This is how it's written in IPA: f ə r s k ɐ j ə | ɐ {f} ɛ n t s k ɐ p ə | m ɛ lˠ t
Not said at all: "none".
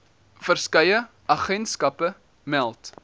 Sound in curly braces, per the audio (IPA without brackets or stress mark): χ